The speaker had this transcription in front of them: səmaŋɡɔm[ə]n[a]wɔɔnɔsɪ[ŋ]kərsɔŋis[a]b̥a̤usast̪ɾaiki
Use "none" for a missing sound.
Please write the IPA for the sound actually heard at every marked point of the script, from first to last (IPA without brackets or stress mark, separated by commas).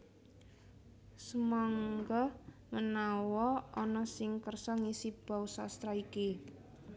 ə, a, ŋ, i